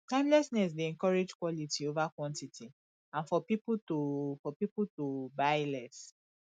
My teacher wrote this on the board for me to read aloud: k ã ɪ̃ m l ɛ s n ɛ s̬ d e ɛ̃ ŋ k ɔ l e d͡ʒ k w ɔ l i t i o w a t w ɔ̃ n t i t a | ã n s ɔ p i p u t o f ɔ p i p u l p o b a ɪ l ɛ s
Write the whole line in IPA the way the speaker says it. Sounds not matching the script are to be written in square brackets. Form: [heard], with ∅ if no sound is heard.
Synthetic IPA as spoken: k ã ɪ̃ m l ɛ s n ɛ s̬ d e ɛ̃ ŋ k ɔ [ɹ] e d͡ʒ k w ɔ l i t i o [v] a [k] w ɔ̃ n t i t [i] | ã n [f] ɔ p i p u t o f ɔ p i p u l [t] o b a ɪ l ɛ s

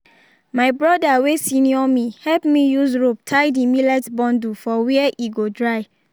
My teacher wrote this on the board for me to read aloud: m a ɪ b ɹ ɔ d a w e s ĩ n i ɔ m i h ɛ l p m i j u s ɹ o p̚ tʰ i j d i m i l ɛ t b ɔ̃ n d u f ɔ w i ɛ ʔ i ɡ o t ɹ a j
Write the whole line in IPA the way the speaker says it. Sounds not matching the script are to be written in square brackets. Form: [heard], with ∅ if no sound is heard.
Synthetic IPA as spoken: m a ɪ b ɹ ɔ d a w e s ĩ n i ɔ m i h ɛ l p m i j u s ɹ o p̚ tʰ [a] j d i m i l ɛ t b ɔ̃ n d u f ɔ w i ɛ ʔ i ɡ o [d] ɹ a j

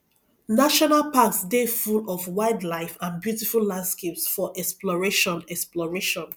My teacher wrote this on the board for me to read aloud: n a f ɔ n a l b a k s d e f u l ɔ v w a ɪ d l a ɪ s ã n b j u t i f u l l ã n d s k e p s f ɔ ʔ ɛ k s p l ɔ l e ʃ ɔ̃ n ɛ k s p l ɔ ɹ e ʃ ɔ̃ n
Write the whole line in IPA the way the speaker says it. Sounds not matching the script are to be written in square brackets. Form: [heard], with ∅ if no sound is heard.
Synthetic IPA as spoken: n a [ʃ] ɔ n a l [p] a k s d e f u l ɔ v w a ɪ d l a ɪ [f] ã n b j u t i f u l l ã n d s k e p s f ɔ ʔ ɛ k s p l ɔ [ɹ] e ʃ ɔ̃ n ɛ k s p l ɔ ɹ e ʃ ɔ̃ n

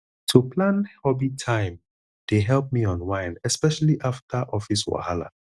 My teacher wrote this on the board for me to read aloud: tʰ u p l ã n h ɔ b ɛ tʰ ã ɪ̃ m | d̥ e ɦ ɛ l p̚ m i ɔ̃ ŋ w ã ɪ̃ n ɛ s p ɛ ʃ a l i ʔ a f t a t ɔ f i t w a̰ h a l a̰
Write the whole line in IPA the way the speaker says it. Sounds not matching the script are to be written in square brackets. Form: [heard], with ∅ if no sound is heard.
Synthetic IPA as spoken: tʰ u p l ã n h ɔ b [i] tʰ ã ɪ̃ m | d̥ e ɦ ɛ l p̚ m i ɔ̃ [n] w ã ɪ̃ n ɛ s p ɛ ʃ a l i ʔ a f t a [ʔ] ɔ f i [s] w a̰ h a l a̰

